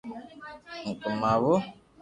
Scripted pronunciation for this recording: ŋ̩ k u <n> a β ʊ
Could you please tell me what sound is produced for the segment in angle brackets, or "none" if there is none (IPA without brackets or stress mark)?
m